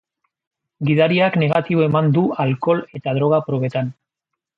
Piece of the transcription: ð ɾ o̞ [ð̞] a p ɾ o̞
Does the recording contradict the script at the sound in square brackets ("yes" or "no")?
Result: yes